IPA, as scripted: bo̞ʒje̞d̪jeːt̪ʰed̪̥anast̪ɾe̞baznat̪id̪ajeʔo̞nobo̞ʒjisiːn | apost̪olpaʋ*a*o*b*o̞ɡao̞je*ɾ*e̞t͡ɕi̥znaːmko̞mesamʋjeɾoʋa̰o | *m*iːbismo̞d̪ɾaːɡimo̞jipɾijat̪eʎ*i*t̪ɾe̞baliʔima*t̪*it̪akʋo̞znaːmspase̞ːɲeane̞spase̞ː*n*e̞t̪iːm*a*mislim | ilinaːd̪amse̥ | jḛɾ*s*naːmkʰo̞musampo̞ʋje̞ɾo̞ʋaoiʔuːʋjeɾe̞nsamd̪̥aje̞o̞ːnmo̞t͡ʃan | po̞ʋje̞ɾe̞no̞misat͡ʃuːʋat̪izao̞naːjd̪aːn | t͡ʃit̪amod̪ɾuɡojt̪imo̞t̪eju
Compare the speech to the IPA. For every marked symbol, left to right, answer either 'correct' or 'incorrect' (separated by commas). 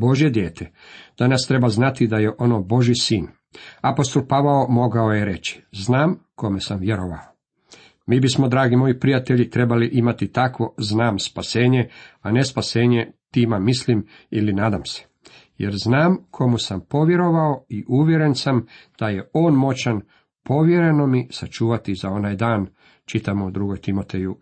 correct, incorrect, correct, correct, correct, correct, incorrect, correct, incorrect